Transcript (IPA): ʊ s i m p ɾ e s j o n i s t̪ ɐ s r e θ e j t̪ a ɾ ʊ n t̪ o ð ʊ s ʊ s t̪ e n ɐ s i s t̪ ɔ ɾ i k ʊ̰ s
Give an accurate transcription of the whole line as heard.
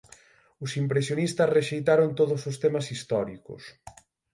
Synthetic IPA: ʊ s i m p ɾ e s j o n i s t̪ ɐ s r e ʃ e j t̪ a ɾ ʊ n t̪ o ð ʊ s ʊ s t̪ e m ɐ s i s t̪ ɔ ɾ i k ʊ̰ s